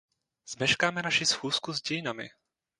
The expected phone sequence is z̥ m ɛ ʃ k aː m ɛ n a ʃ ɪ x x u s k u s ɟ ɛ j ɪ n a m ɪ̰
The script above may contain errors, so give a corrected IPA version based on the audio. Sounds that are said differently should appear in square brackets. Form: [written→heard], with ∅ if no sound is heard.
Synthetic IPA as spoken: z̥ m ɛ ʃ k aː m ɛ n a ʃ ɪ [x→s] x [u→uː] s k u [s→z] ɟ ɛ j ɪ n a m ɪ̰